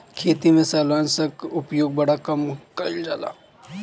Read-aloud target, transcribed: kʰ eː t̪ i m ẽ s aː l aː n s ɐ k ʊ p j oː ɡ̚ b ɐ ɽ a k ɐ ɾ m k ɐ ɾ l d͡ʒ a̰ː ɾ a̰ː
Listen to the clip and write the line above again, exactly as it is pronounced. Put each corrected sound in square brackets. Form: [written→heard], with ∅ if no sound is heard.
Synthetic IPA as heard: kʰ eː t̪ i m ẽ s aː l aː n s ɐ k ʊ p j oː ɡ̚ b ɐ ɽ a k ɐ [ɾ→∅] m k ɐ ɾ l d͡ʒ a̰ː [ɾ→l] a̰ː

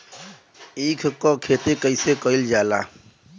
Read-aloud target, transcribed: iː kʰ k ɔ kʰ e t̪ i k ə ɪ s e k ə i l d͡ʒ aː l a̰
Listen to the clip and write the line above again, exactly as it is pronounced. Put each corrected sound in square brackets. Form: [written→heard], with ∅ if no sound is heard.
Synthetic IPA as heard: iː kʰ k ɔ kʰ e t̪ [i→e] k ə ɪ s e k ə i l d͡ʒ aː l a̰

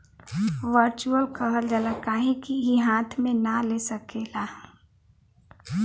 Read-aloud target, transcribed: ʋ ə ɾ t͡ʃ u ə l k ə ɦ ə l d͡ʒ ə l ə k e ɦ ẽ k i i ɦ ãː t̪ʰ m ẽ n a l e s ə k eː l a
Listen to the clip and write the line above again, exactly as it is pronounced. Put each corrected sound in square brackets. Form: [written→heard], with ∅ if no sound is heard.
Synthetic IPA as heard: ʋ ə ɾ t͡ʃ u ə l k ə ɦ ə l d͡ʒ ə l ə k [e→a] ɦ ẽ k i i ɦ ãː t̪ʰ m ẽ n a l e s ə k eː l a

